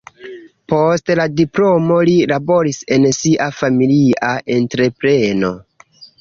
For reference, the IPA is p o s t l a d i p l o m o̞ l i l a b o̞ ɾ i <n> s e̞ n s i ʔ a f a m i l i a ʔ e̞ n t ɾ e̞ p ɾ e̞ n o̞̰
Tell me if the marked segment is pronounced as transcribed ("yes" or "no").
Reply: no